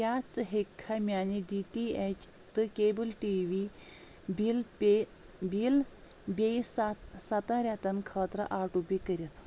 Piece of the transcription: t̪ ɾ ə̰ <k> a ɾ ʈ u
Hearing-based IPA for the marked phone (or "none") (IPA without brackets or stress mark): ʔ